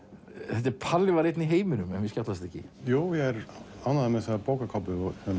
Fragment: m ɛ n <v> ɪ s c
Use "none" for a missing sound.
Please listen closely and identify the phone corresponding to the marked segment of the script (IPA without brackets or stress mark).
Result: v